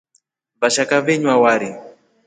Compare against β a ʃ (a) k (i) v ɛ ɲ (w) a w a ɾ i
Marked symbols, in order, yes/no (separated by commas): yes, no, yes